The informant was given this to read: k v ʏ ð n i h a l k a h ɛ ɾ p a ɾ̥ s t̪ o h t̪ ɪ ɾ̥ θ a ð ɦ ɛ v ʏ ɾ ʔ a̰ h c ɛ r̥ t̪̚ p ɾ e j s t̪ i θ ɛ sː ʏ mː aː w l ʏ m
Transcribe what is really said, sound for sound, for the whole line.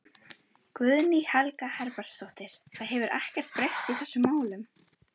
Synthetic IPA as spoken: k v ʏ ð n i h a l k a h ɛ ɾ p a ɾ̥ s t̪ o h t̪ ɪ ɾ̥ θ a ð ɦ ɛ v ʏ ɾ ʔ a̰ h c ɛ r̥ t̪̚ p ɾ e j s t̪ i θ ɛ sː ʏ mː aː w l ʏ m